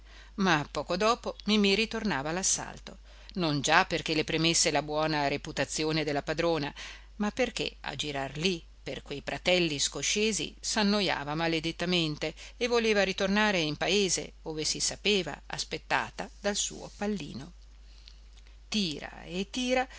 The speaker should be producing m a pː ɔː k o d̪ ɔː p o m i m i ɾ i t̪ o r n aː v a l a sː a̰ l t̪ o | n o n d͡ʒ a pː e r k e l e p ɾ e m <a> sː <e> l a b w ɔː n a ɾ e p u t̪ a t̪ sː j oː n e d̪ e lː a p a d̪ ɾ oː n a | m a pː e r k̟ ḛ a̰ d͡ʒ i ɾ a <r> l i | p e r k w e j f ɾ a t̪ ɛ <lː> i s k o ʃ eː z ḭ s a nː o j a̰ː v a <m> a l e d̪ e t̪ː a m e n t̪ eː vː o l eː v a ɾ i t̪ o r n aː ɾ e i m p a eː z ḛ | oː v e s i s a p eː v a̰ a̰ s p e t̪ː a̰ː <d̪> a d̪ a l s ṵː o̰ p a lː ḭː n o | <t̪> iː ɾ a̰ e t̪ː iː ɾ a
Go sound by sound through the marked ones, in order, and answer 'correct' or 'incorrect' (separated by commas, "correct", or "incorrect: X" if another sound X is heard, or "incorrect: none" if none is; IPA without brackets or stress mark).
incorrect: e, correct, correct, correct, correct, incorrect: t̪, correct